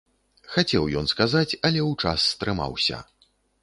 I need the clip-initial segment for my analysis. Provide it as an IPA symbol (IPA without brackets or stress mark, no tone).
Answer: x